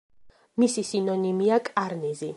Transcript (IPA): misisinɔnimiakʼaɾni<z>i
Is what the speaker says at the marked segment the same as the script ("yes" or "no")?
yes